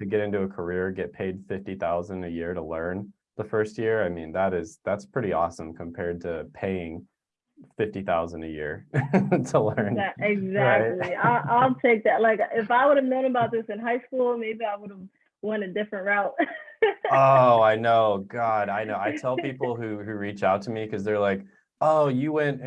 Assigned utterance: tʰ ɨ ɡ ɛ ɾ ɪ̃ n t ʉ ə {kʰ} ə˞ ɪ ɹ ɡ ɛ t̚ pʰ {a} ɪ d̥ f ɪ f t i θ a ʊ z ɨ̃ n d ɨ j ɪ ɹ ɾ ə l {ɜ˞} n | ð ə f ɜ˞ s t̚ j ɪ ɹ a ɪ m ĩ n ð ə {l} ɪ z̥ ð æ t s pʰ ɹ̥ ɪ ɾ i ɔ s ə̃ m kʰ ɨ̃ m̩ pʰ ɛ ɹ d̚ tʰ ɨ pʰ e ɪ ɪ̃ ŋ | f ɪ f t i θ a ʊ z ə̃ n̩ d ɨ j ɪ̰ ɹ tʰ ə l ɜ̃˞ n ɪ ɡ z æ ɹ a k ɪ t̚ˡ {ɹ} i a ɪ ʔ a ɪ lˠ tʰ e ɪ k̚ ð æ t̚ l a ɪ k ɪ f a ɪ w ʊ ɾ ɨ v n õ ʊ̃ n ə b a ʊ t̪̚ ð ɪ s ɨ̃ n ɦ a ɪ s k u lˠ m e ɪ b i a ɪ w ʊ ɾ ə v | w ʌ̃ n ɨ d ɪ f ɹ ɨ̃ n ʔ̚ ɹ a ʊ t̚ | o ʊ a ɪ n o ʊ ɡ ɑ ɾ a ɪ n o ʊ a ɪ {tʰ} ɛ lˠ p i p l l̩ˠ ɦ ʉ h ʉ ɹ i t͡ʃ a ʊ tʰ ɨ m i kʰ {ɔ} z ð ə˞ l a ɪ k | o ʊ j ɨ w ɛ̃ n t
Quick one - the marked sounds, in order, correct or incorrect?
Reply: correct, incorrect, incorrect, incorrect, incorrect, correct, incorrect

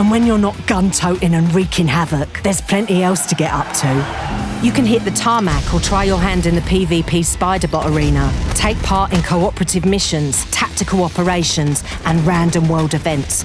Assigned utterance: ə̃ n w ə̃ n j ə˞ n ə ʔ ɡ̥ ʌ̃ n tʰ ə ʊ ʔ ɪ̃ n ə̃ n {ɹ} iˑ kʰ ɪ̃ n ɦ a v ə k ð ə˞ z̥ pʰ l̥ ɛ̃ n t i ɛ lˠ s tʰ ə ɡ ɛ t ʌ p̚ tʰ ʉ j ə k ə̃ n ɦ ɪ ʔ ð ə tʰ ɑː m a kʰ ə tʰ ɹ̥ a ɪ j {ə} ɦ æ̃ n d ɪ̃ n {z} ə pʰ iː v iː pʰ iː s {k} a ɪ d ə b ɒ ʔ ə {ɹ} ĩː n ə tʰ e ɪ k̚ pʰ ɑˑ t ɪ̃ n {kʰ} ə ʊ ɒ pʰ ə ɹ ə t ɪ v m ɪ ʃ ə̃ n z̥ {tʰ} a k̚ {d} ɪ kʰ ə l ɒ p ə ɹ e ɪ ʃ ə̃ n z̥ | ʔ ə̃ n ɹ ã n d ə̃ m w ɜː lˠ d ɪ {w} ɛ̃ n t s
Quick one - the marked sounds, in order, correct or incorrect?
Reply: correct, correct, incorrect, incorrect, correct, correct, correct, incorrect, incorrect

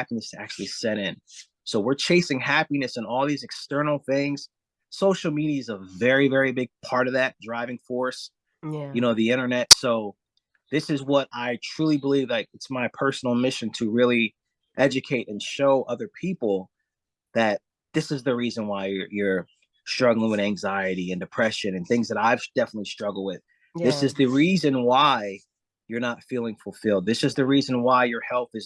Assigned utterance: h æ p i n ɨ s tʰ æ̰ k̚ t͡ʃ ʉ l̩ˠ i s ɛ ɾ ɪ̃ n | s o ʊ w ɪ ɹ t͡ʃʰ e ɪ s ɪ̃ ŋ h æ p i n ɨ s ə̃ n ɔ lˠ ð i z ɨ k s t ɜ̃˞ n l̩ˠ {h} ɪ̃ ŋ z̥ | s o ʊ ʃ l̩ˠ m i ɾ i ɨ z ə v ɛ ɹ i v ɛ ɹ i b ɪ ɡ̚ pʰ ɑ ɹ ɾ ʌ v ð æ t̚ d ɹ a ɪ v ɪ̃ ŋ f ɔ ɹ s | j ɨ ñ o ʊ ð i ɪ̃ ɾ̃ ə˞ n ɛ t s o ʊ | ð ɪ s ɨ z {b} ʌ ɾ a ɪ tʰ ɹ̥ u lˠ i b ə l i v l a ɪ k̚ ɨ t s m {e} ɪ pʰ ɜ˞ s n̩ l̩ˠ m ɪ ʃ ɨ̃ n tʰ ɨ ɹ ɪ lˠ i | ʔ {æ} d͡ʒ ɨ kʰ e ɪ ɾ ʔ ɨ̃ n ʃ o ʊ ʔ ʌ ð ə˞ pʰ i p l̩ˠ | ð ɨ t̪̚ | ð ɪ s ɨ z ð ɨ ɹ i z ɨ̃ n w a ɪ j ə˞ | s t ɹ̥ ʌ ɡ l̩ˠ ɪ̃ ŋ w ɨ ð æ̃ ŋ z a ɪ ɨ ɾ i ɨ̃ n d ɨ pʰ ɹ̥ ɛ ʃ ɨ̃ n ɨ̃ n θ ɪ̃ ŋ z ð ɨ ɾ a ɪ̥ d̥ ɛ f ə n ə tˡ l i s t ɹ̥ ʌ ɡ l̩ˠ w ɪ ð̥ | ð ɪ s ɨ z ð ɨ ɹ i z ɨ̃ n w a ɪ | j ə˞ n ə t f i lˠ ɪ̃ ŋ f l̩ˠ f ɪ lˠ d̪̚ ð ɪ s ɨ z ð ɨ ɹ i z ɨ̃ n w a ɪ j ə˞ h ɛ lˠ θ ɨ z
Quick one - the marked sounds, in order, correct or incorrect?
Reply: incorrect, incorrect, incorrect, incorrect

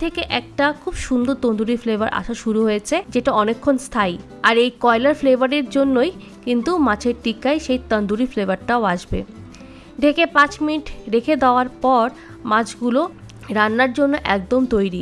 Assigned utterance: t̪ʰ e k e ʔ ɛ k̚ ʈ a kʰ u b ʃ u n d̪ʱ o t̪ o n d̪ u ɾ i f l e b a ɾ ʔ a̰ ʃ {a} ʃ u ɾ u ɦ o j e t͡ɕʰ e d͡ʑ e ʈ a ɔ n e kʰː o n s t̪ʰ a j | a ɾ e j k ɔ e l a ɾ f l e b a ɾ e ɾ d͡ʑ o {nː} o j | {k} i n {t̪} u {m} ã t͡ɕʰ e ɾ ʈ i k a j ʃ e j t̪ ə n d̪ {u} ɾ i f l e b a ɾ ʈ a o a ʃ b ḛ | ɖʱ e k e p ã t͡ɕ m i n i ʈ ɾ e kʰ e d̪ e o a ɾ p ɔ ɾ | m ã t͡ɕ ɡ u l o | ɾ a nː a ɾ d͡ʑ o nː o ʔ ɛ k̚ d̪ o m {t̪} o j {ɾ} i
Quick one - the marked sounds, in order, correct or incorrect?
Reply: correct, correct, correct, correct, correct, correct, correct, correct

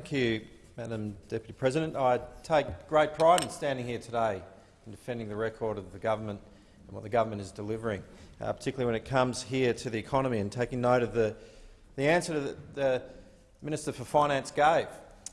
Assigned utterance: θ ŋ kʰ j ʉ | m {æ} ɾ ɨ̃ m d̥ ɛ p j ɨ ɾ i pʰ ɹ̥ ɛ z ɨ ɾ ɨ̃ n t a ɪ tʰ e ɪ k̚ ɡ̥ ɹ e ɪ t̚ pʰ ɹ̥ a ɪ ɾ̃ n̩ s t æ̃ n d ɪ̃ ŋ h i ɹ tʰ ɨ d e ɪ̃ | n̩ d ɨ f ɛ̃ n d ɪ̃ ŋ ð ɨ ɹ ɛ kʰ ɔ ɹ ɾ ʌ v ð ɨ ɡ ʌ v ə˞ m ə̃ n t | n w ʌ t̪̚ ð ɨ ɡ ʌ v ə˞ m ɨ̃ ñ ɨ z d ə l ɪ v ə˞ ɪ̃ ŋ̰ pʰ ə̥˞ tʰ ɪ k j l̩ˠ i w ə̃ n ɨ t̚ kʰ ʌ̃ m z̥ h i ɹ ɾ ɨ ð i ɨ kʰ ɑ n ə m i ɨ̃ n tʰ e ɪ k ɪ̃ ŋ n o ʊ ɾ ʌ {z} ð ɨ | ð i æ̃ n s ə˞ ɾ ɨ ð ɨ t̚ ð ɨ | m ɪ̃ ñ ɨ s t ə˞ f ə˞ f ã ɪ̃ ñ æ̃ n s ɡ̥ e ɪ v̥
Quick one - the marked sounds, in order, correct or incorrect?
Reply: correct, incorrect

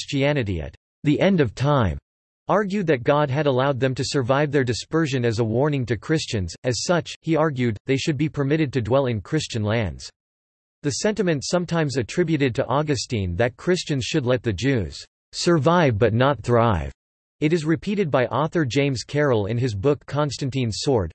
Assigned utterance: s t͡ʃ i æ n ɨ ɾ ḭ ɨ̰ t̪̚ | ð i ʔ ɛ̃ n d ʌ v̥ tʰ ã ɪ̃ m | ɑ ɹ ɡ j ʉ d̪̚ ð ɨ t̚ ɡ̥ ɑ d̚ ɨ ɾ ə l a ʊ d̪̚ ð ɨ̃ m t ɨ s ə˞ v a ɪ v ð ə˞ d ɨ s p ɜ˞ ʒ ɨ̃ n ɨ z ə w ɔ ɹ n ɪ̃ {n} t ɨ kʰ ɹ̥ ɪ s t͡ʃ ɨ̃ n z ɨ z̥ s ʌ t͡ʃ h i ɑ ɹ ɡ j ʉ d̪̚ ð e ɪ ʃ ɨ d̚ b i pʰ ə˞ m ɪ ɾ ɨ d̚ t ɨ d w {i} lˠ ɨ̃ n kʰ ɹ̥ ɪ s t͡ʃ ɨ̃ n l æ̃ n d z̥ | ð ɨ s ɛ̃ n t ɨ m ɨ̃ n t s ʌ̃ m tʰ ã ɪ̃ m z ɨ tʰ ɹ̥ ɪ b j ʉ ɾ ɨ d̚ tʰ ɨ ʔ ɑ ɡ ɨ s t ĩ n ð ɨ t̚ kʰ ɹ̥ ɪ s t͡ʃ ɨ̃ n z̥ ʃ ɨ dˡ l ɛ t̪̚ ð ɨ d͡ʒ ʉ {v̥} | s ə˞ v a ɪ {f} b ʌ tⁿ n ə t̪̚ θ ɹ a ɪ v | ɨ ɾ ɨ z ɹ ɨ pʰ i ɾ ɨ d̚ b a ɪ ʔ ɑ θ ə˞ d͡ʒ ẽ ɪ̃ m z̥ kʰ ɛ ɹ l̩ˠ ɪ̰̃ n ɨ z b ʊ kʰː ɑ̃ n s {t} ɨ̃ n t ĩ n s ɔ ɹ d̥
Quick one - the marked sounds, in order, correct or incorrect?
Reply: incorrect, incorrect, incorrect, incorrect, correct

